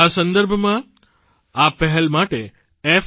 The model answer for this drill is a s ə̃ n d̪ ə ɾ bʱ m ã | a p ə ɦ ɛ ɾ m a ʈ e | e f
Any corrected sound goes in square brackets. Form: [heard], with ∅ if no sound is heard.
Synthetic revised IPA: a s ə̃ n d̪ ə ɾ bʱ m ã | a p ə ɦ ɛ [l] m a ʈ e | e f